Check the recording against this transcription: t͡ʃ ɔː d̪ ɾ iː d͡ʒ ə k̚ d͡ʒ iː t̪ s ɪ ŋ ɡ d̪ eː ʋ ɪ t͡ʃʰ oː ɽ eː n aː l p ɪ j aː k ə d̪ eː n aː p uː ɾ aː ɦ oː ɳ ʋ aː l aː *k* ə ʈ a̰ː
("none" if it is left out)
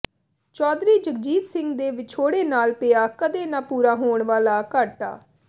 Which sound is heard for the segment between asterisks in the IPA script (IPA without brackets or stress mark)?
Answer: k